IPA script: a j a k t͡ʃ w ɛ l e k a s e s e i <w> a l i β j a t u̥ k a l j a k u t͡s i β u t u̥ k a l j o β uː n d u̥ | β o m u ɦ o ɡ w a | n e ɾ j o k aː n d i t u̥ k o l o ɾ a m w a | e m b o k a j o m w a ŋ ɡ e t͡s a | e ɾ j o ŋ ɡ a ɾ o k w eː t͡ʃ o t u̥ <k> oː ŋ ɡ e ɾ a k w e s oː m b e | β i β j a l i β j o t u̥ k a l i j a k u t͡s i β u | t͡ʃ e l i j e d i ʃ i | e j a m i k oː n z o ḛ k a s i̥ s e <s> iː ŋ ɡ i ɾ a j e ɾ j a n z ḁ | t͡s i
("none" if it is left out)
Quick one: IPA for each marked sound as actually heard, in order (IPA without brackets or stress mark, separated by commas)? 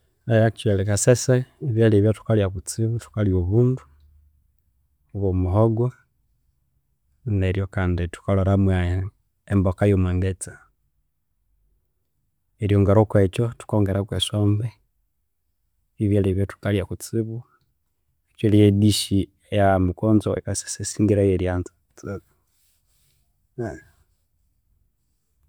β, k, s